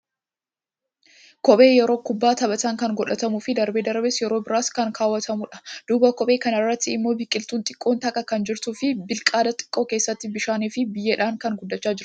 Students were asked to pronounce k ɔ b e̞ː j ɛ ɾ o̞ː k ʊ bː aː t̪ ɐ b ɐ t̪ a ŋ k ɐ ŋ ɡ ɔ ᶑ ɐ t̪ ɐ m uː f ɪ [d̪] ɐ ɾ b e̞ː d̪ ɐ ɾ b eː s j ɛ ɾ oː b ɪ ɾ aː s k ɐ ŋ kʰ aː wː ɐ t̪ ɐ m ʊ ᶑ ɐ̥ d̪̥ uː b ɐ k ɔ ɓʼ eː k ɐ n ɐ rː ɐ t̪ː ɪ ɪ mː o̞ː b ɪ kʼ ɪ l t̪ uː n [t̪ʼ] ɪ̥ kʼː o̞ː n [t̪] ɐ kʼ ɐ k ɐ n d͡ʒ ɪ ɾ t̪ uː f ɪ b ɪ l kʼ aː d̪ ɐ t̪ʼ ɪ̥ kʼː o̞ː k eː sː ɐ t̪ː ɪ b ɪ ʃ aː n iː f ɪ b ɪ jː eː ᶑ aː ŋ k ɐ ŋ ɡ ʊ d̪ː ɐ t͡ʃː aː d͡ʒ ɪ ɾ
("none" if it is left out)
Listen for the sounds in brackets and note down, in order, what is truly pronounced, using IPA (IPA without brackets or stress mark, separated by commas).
d̪, t̪ʼ, t̪